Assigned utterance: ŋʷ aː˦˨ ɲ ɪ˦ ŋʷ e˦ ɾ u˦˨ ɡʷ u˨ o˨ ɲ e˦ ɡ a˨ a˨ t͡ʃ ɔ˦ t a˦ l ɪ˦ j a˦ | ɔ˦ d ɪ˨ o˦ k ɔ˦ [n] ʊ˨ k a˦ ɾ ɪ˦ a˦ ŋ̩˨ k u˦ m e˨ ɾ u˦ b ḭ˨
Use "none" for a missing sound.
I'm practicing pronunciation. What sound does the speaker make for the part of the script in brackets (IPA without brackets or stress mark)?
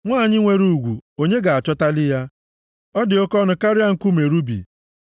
n